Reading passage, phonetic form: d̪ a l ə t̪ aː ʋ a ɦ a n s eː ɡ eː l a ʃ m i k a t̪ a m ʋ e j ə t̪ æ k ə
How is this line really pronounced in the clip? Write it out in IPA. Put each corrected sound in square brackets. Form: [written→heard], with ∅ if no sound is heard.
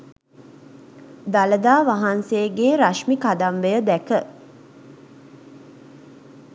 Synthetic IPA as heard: d̪ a l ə [t̪→d̪] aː ʋ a ɦ a n s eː ɡ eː [l→ɾ] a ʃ m i k a [t̪→d̪] a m ʋ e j ə [t̪→d̪] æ k ə